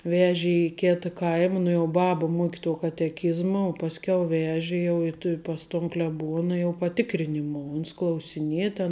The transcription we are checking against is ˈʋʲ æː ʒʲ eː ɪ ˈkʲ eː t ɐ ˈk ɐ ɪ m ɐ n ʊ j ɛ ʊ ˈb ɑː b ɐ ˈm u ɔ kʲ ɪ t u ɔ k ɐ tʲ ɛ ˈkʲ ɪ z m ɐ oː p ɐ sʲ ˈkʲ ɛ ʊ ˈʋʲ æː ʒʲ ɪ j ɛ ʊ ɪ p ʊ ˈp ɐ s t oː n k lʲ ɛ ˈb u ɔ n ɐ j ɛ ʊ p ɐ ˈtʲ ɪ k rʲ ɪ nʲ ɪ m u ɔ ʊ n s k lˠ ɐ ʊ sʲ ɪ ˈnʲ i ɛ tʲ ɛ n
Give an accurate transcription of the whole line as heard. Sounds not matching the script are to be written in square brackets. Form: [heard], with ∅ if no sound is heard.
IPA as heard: ˈʋʲ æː ʒʲ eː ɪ ˈkʲ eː t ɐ ˈk ɐ ɪ m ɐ n ʊ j ɛ ʊ ˈb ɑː b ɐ ˈm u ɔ kʲ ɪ t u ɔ k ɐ tʲ ɛ ˈkʲ ɪ z m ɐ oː p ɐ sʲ ˈkʲ ɛ ʊ ˈʋʲ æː ʒʲ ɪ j ɛ ʊ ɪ [t] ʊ ˈp ɐ s t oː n k lʲ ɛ ˈb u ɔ n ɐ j ɛ ʊ p ɐ ˈtʲ ɪ k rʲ ɪ nʲ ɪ m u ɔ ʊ n s k lˠ ɐ ʊ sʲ ɪ ˈnʲ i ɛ tʲ ɛ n